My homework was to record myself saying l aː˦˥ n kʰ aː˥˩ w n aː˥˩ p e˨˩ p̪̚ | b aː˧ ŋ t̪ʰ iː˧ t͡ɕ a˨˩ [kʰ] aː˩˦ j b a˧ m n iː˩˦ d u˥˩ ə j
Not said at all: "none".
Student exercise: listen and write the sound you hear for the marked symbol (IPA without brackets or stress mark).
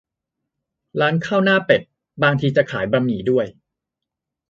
kʰ